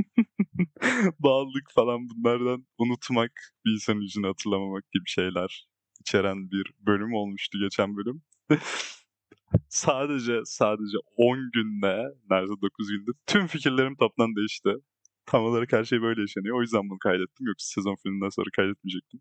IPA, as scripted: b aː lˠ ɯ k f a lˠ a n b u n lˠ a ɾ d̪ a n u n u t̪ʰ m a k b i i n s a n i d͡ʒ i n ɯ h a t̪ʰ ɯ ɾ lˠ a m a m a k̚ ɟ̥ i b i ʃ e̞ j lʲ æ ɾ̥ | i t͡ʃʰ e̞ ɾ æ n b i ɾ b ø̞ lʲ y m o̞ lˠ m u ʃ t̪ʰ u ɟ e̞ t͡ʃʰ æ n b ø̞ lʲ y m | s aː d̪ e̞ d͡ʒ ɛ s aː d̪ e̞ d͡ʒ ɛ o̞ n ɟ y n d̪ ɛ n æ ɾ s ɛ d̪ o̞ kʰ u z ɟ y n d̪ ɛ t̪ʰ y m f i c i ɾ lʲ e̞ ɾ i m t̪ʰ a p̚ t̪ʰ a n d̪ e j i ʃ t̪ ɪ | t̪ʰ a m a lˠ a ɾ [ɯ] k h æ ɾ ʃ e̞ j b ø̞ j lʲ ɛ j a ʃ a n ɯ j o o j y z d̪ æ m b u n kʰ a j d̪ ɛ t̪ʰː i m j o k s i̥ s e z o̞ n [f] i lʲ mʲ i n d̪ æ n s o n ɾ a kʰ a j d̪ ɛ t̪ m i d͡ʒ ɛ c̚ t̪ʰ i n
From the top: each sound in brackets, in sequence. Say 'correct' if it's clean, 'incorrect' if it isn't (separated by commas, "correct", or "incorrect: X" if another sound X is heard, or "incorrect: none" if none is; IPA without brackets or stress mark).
correct, correct